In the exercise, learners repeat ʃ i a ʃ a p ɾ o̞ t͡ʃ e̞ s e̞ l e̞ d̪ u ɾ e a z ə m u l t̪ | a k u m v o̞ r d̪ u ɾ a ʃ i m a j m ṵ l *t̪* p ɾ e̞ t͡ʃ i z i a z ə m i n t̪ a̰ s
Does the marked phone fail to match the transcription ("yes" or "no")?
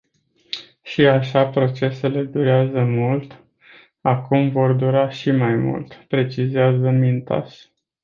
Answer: no